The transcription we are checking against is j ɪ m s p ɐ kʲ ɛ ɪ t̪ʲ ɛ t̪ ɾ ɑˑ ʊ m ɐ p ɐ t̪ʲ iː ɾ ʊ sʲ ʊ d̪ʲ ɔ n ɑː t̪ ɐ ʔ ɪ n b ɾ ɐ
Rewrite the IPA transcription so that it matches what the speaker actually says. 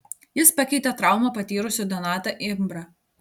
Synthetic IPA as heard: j ɪ s p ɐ kʲ ɛ ɪ t̪ʲ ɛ t̪ ɾ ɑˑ ʊ m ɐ p ɐ t̪ʲ iː ɾ ʊ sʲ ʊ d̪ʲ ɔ n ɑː t̪ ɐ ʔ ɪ m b ɾ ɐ